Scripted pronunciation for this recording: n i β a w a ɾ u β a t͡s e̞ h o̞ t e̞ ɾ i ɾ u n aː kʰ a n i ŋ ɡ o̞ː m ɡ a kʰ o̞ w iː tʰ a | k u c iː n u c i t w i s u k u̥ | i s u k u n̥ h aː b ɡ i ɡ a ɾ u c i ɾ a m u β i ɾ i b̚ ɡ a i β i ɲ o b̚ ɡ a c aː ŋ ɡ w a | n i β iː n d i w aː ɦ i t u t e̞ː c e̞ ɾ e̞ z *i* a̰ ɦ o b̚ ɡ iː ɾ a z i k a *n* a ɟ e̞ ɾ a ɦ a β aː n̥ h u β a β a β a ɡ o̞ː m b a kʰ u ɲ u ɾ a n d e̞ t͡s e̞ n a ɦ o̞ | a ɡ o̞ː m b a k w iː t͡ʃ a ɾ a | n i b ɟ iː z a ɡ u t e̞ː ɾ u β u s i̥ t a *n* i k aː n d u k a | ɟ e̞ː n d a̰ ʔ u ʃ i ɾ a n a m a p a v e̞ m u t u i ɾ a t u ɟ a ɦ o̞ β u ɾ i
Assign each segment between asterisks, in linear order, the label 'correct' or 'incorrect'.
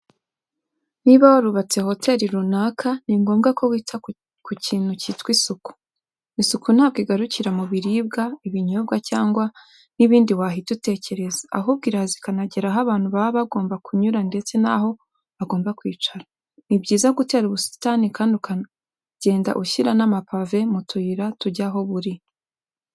incorrect, correct, correct

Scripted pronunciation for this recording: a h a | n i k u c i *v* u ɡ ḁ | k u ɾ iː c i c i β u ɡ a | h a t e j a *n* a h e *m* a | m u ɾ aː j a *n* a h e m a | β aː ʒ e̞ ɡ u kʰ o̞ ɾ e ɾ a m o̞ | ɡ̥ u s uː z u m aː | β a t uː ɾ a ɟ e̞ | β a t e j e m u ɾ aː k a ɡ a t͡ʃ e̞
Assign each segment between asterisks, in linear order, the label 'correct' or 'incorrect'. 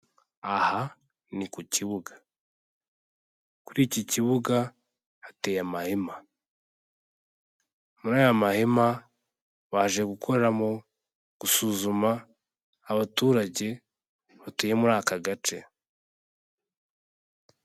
incorrect, incorrect, correct, incorrect

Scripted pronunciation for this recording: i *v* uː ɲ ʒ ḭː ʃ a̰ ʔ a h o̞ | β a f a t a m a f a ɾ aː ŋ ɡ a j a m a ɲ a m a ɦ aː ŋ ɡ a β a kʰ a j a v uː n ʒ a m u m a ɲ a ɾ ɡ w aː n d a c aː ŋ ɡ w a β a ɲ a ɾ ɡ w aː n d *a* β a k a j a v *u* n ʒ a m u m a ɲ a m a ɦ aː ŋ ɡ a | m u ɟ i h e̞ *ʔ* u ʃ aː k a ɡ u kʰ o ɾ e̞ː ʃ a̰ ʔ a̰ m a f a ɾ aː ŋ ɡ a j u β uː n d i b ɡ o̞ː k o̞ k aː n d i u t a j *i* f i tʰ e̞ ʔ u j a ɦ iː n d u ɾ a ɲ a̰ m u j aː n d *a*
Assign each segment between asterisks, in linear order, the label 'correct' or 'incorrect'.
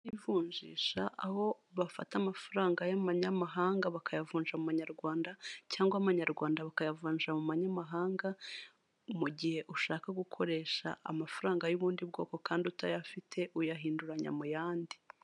correct, correct, incorrect, correct, incorrect, incorrect

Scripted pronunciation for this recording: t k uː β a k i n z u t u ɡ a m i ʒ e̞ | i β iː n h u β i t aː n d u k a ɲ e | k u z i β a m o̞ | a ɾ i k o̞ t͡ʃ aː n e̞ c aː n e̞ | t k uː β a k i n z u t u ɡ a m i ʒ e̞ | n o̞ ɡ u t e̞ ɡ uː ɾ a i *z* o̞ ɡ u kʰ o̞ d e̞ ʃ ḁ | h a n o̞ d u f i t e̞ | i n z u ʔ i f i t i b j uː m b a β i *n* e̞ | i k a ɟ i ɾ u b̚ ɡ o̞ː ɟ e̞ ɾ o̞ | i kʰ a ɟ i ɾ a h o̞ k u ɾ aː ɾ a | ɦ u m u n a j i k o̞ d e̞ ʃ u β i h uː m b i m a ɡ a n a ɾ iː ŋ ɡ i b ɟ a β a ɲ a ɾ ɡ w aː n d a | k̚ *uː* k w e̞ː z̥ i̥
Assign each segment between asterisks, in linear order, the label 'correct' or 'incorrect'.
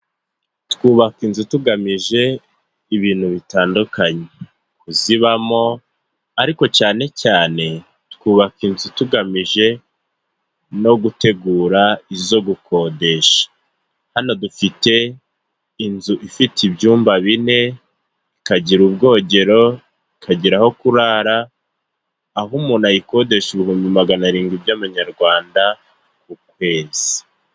correct, correct, incorrect

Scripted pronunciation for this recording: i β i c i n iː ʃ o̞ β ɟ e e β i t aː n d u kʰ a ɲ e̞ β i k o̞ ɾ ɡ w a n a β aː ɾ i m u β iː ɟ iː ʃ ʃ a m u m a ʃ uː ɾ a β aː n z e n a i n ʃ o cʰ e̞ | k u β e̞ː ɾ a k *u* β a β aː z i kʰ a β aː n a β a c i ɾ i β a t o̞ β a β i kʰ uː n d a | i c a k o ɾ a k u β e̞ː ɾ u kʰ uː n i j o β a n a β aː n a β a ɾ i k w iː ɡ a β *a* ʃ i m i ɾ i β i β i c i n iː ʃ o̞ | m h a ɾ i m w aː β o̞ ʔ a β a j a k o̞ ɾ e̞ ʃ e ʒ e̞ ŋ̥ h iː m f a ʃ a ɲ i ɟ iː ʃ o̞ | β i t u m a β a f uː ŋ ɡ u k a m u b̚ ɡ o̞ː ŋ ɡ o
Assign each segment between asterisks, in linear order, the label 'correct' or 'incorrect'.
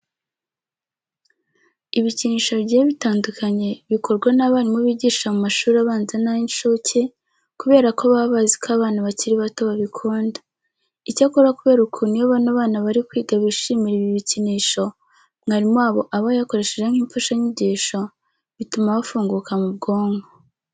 incorrect, incorrect

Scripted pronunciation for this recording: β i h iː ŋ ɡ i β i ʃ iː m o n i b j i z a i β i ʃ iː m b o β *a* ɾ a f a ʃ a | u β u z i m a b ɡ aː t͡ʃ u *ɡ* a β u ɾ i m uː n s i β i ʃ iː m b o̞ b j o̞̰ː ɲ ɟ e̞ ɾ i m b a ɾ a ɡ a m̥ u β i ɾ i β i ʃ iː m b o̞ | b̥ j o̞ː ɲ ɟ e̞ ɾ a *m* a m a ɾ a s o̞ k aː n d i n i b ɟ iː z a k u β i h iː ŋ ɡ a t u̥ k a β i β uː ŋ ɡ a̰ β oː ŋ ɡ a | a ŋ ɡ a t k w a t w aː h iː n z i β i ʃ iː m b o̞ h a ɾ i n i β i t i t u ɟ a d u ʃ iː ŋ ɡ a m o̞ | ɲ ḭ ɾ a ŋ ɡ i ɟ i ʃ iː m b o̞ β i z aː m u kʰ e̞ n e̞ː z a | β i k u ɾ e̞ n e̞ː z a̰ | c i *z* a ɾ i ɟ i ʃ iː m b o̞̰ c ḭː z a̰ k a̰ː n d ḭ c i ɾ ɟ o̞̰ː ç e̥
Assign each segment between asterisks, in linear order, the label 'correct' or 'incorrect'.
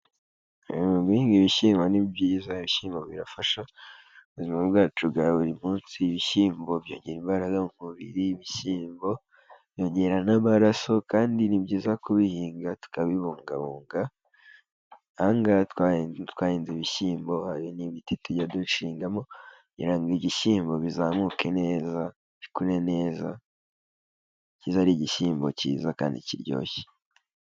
incorrect, correct, incorrect, correct

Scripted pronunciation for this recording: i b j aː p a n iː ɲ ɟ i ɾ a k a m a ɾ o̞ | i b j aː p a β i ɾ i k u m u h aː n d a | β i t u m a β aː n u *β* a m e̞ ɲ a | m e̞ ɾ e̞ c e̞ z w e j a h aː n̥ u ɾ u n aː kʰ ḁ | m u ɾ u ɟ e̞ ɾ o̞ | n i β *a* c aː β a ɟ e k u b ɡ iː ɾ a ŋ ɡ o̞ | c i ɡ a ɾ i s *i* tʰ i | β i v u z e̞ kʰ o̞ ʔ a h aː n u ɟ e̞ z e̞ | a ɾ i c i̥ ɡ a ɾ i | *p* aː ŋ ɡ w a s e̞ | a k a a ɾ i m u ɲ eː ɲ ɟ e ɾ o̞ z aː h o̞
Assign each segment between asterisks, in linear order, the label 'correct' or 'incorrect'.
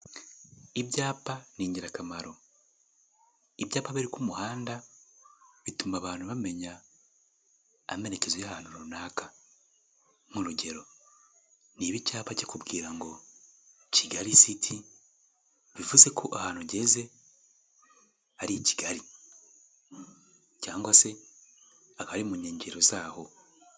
correct, incorrect, correct, incorrect

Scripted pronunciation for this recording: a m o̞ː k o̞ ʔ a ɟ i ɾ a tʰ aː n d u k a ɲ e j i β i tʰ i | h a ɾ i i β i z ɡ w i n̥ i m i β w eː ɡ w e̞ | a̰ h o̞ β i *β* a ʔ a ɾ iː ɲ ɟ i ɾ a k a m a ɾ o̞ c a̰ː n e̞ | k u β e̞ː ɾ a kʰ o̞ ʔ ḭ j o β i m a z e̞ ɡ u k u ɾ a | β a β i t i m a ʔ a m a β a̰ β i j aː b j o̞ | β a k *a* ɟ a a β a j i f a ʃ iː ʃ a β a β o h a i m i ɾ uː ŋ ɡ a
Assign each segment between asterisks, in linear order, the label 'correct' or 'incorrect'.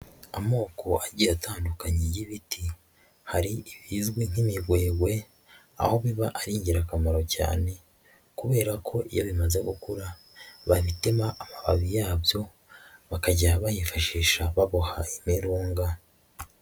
correct, correct

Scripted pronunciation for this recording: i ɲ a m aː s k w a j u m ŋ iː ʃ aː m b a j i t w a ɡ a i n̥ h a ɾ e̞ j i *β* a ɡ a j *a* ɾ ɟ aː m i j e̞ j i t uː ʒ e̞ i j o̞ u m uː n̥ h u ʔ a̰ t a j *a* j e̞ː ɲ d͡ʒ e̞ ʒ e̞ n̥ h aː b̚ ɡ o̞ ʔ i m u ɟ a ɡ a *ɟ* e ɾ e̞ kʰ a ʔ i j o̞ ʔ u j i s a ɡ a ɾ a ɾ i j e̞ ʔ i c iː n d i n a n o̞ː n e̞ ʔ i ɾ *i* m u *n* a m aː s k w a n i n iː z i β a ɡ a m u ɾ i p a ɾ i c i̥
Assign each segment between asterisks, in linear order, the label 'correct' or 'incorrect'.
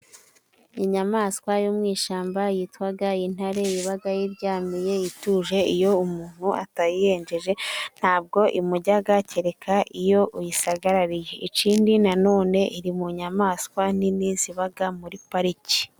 correct, incorrect, incorrect, incorrect, correct, incorrect

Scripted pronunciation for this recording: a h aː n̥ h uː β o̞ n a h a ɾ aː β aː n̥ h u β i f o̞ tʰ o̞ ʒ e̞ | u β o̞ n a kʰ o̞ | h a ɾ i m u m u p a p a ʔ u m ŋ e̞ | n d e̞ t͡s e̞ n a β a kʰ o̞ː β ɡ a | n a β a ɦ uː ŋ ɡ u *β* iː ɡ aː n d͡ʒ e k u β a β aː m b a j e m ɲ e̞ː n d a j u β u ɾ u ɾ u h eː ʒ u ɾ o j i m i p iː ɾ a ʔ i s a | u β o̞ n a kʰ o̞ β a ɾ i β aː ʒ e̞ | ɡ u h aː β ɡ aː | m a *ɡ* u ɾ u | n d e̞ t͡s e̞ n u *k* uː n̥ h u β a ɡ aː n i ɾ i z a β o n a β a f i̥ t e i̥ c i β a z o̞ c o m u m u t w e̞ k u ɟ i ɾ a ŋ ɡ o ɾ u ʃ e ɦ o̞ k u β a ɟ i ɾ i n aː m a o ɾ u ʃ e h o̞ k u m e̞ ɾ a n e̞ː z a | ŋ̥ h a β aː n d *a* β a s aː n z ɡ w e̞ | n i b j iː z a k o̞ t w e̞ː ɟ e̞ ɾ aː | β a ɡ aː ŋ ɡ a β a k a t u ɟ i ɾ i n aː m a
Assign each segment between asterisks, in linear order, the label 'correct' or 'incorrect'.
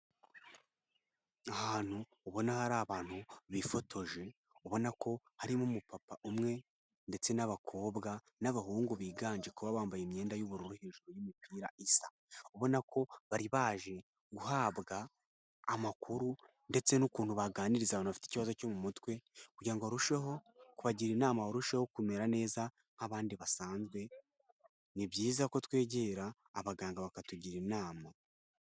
correct, incorrect, correct, incorrect

